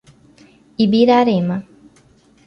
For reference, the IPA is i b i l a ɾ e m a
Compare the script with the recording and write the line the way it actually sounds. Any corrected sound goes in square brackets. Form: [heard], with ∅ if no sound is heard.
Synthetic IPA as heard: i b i [ɾ] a ɾ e m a